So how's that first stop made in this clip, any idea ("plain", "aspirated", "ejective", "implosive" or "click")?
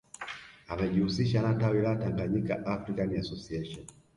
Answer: implosive